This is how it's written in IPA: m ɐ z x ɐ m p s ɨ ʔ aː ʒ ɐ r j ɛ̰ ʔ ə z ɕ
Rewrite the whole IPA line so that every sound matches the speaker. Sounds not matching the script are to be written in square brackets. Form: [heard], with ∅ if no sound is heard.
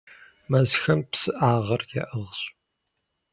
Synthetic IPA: m ɐ z x ɐ m p s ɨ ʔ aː [ʁ] ɐ r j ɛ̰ ʔ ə [ʁ] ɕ